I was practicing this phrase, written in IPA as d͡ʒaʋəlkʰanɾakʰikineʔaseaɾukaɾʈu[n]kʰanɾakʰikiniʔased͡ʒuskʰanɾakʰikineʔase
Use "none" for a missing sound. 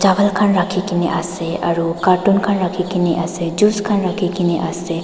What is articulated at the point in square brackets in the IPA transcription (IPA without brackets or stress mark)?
n